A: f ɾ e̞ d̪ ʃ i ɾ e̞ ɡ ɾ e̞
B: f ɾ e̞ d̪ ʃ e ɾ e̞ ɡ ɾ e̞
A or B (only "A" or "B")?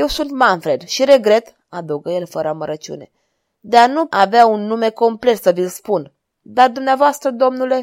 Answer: A